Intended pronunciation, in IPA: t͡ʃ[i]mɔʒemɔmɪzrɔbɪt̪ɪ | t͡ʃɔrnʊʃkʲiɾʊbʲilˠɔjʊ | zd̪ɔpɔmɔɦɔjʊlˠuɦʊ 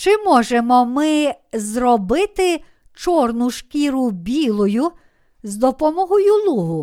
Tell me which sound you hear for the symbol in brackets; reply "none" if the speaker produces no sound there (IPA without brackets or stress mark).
ɪ